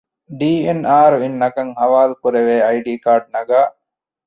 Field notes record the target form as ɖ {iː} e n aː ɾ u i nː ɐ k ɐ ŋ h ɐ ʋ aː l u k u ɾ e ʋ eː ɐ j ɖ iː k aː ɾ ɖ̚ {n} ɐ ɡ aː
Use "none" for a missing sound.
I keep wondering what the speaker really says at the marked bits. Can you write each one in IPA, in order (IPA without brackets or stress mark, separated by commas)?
iː, n